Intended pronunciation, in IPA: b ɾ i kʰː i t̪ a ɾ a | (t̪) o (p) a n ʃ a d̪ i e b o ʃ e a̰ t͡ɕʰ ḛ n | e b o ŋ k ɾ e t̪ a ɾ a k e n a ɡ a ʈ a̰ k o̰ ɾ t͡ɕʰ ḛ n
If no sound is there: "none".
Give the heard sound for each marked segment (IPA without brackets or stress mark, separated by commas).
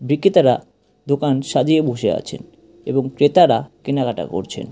d̪, k